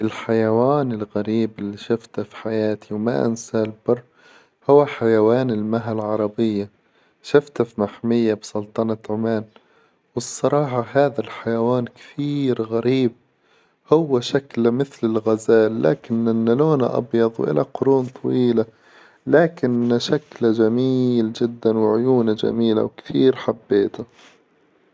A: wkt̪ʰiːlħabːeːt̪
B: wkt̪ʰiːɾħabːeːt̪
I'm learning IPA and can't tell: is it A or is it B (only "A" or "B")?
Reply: B